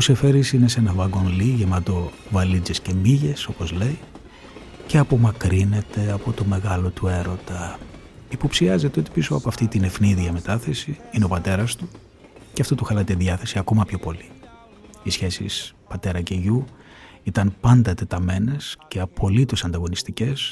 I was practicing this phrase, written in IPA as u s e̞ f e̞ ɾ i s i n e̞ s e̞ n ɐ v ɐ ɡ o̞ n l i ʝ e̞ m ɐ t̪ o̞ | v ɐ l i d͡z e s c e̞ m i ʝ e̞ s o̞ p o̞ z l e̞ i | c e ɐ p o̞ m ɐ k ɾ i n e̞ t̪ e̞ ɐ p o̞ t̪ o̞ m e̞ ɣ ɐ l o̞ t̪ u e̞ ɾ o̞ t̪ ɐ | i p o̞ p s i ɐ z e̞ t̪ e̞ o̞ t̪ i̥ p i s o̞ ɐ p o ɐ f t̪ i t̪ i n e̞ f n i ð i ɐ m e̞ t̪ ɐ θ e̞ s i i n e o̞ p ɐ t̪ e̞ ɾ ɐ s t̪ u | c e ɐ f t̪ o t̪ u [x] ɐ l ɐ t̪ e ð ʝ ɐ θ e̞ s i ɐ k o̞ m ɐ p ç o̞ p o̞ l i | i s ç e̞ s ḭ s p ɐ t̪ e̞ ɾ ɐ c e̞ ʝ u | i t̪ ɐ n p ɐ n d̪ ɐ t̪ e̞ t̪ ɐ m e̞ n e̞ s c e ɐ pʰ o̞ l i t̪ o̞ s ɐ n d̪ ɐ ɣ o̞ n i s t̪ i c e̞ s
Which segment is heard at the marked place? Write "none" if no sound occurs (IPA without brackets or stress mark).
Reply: x